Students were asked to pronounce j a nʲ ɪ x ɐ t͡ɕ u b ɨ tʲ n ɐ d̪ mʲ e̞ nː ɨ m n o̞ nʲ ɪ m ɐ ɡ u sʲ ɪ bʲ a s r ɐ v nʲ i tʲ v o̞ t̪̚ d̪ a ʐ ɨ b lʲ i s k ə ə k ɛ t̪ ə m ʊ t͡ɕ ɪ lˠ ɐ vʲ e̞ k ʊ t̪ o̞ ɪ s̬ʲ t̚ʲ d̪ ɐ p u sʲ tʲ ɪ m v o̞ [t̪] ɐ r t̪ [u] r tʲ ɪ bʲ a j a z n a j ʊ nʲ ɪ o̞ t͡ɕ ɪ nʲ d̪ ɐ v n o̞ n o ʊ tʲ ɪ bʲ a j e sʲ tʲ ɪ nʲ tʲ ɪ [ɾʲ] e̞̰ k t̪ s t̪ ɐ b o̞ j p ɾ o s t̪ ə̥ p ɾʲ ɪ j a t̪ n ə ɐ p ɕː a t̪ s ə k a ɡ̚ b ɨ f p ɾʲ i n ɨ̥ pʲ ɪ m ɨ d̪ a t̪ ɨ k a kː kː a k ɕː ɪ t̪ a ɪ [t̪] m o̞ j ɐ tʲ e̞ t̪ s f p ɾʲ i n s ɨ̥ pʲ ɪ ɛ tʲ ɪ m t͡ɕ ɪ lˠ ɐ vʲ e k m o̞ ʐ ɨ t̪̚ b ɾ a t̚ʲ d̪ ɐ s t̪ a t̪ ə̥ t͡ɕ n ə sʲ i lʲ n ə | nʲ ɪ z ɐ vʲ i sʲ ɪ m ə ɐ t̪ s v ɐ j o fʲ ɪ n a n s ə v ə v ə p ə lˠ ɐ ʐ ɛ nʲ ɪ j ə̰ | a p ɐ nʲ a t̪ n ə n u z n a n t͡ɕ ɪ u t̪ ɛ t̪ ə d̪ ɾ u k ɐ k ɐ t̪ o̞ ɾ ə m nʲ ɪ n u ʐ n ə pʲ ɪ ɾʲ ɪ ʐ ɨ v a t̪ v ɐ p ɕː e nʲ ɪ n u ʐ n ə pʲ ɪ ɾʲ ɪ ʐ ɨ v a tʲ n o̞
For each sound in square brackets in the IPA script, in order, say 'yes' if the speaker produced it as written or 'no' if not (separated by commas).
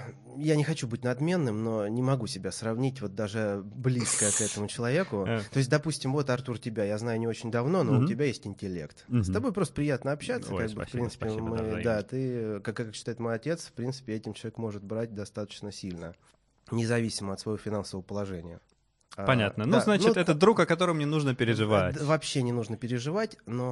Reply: yes, yes, no, yes